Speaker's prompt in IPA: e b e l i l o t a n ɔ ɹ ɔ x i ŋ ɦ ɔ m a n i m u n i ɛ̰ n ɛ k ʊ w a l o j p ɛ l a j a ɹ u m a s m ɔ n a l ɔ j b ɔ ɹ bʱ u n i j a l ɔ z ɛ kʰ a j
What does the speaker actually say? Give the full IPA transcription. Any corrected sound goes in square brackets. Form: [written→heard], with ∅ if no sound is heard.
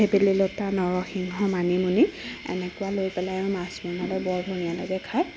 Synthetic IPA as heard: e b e l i l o t a n ɔ ɹ ɔ x i ŋ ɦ ɔ m a n i m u n i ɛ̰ n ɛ k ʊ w a l o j p ɛ l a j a ɹ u m a s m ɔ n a l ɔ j b ɔ ɹ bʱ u n i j a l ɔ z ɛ kʰ a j

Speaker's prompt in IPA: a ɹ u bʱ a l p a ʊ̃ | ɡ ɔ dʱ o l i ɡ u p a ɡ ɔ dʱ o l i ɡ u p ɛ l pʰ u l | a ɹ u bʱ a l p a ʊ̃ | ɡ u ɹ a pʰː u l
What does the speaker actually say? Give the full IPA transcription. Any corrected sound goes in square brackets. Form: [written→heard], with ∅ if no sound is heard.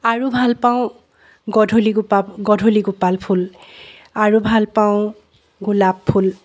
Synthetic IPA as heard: a ɹ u bʱ a l p a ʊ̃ | ɡ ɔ dʱ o l i ɡ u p a ɡ ɔ dʱ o l i ɡ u p [ɛ→a] l pʰ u l | a ɹ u bʱ a l p a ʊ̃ | ɡ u [ɹ→l] a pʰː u l

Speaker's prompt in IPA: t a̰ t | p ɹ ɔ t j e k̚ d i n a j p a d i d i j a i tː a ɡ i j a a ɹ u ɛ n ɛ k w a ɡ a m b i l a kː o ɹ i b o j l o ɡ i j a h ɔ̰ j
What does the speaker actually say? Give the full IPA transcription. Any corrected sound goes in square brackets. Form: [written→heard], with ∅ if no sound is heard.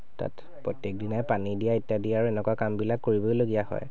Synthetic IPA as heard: t a̰ t | p ɹ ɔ t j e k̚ d i n a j p a [d→n] i d i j a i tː a [ɡ→d] i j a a ɹ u ɛ n ɛ k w a [ɡ→k] a m b i l a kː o ɹ i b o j l o ɡ i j a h ɔ̰ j

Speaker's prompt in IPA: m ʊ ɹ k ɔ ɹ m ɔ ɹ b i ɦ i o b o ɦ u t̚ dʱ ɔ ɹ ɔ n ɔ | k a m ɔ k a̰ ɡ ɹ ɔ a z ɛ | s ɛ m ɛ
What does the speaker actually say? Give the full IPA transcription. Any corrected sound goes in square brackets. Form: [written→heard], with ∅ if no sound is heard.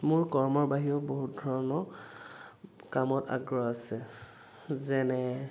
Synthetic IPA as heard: m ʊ ɹ k ɔ ɹ m ɔ ɹ b [i→a] ɦ i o b o ɦ u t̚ dʱ ɔ ɹ ɔ n ɔ | k a m ɔ [k→t] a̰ ɡ ɹ ɔ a [z→s] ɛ | [s→z] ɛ [m→n] ɛ

